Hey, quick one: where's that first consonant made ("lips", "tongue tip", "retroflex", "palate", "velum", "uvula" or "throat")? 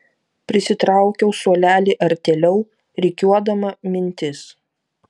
lips